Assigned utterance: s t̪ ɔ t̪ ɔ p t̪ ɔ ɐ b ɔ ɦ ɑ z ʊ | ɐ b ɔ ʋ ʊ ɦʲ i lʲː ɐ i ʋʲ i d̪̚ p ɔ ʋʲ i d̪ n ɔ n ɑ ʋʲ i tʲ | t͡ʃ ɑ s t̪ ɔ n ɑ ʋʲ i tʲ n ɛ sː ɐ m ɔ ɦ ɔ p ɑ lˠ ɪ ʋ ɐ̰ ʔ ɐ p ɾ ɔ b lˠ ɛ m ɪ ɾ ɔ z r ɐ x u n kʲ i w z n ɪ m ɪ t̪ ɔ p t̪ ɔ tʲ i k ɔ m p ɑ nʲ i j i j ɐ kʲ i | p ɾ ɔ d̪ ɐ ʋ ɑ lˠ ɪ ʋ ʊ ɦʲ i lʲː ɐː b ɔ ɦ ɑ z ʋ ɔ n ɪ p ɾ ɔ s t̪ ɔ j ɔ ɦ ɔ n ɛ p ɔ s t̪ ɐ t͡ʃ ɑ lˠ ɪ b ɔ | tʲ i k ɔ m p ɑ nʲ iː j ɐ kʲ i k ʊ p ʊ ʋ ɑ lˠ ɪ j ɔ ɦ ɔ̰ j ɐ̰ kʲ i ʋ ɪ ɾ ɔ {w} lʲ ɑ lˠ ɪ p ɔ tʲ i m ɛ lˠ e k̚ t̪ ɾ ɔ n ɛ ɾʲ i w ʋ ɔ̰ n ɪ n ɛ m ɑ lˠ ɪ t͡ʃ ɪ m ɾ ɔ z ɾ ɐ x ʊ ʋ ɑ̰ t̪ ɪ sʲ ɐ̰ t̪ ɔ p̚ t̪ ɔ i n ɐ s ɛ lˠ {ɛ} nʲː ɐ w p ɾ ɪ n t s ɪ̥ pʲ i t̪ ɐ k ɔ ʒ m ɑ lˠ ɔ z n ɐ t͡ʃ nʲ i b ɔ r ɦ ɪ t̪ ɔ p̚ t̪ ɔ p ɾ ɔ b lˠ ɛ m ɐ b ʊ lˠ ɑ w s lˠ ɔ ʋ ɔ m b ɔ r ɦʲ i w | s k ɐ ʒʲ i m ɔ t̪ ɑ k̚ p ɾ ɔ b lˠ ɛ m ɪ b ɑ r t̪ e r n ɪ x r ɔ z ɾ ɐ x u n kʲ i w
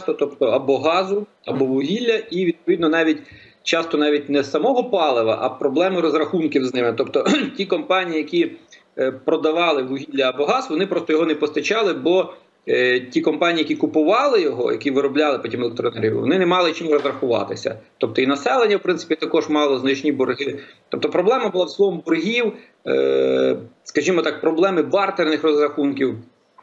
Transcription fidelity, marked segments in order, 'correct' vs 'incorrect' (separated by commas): incorrect, incorrect